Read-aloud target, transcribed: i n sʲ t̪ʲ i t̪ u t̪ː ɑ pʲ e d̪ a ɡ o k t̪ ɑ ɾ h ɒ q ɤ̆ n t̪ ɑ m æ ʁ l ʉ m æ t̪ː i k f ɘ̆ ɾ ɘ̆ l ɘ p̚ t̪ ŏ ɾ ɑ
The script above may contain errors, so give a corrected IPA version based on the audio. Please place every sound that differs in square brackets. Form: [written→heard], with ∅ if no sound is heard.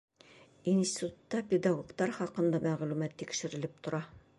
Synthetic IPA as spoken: i n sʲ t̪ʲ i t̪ u t̪ː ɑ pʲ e d̪ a ɡ o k t̪ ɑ ɾ [h→χ] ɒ q ɤ̆ n [t̪→d̪] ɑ m æ ʁ l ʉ m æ t̪ː i k [f→ʃ] ɘ̆ ɾ ɘ̆ l ɘ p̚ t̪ ŏ ɾ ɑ